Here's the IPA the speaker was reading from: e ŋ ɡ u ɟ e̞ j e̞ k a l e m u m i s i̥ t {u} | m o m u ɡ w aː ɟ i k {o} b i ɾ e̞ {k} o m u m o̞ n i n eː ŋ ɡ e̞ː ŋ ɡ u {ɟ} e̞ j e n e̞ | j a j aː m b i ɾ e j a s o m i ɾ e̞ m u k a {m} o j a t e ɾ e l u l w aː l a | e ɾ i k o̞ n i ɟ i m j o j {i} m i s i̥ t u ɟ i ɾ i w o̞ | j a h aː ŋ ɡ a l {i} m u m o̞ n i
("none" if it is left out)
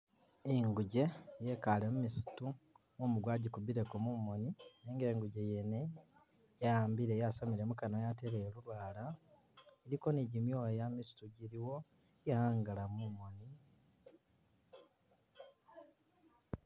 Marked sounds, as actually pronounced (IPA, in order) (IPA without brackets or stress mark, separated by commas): u, u, k, ɟ, n, a, a